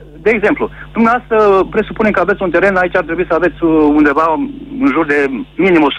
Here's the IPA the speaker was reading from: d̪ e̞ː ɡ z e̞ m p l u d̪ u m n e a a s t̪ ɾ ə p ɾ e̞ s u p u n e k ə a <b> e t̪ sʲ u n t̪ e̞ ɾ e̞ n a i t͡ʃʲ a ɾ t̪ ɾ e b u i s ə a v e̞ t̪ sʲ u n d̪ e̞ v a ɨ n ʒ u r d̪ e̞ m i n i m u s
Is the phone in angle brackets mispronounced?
yes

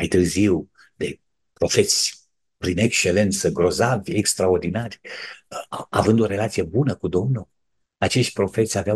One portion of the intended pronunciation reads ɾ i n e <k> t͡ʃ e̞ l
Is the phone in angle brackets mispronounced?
no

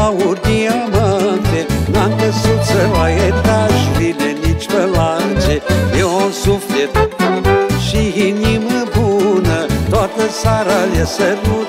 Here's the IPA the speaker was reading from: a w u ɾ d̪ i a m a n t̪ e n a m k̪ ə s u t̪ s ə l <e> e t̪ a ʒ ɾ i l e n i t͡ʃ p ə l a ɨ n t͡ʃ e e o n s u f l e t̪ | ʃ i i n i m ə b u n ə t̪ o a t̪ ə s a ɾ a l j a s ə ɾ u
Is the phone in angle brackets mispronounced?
yes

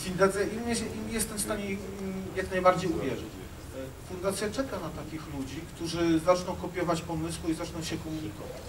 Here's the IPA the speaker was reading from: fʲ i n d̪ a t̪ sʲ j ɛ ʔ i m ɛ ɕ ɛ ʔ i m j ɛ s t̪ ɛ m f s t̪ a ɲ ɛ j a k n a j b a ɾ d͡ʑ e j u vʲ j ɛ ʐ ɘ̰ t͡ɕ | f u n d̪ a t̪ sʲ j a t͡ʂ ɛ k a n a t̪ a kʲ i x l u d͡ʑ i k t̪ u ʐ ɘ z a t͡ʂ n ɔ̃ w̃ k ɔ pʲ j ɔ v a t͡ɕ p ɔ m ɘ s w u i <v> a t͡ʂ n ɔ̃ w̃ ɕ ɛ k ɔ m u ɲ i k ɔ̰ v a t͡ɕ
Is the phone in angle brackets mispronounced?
yes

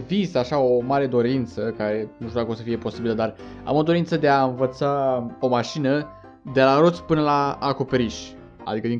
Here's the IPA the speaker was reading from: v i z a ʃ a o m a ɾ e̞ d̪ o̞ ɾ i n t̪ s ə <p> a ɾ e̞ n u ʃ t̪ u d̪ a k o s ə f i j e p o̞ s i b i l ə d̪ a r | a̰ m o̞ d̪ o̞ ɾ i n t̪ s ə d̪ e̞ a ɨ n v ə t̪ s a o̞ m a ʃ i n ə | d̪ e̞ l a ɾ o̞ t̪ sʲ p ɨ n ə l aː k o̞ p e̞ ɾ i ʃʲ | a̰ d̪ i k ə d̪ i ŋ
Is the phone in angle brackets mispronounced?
yes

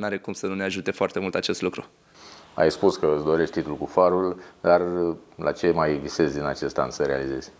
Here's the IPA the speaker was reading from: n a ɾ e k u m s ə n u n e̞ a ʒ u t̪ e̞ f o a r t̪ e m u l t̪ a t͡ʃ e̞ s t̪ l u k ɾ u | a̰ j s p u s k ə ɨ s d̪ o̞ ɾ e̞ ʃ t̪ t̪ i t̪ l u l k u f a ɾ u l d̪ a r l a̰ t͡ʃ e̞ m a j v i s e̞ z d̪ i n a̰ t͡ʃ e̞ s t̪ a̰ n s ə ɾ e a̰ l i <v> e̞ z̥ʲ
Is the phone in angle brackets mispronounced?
yes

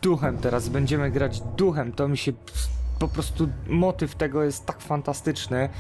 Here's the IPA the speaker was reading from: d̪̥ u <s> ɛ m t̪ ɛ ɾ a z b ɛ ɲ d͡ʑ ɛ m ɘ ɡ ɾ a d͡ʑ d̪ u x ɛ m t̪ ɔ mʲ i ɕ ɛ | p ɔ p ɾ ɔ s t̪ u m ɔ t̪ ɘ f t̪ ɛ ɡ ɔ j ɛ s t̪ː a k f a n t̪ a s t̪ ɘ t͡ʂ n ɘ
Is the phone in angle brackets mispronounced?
yes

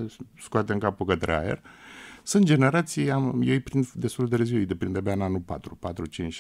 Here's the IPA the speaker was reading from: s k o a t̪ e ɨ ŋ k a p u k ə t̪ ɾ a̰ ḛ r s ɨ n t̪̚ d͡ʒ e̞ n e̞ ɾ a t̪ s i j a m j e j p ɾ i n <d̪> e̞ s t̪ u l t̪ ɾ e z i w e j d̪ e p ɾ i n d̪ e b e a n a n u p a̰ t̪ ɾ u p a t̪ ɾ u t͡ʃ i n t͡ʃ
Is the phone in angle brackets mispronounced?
no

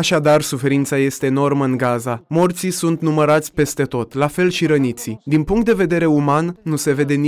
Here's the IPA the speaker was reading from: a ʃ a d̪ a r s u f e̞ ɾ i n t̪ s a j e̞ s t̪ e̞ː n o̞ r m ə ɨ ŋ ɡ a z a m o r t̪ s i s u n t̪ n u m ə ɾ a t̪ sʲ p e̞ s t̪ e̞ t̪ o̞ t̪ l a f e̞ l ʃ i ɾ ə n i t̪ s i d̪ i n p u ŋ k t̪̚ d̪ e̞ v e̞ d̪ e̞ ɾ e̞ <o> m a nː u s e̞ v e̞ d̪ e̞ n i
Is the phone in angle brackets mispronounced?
yes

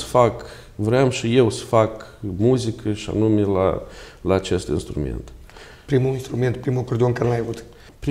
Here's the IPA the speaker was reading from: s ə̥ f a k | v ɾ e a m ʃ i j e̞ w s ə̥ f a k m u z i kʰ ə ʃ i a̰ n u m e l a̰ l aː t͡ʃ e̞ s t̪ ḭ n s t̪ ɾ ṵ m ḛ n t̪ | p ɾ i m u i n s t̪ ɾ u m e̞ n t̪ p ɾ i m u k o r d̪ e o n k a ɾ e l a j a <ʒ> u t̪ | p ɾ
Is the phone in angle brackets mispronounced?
yes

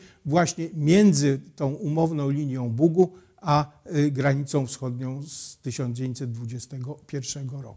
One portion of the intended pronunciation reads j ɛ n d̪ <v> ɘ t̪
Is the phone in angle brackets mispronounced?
yes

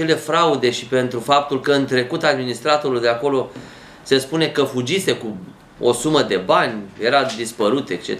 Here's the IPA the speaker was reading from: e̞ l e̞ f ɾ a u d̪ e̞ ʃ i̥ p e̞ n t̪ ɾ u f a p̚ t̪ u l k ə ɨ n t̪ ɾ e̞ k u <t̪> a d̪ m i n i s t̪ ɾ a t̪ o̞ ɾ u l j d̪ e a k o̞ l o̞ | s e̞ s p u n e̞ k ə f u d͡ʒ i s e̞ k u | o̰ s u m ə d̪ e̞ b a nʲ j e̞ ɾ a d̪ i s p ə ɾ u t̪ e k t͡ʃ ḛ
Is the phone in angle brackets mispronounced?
no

